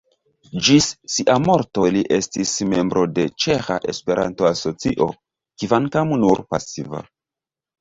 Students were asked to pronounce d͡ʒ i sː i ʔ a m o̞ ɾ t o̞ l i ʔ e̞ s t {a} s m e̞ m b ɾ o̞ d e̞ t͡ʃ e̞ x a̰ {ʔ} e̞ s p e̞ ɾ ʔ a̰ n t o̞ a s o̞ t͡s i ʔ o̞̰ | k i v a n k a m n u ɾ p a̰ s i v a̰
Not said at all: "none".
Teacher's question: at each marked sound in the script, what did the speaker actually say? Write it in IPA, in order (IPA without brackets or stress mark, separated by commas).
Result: i, ʔ